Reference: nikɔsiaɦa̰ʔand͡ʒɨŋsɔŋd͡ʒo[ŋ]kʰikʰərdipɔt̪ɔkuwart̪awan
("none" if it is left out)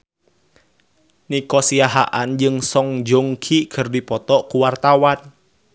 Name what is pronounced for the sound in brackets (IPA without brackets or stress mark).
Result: ŋ